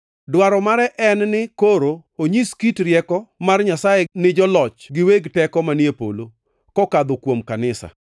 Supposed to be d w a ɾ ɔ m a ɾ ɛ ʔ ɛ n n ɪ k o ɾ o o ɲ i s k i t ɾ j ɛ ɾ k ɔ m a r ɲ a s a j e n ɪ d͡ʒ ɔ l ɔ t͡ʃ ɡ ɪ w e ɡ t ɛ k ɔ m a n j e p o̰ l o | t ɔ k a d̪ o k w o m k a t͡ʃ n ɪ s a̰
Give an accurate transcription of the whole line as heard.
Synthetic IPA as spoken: d w a ɾ ɔ m a ɾ ɛ ʔ ɛ n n ɪ k o ɾ o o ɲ i s k i t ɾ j ɛ k ɔ m a r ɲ a s a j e n ɪ d͡ʒ ɔ l ɔ t͡ʃ ɡ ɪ w e ɡ t ɛ k ɔ m a n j e p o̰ l o | k ɔ k a d̪ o k w o m k a n ɪ s a̰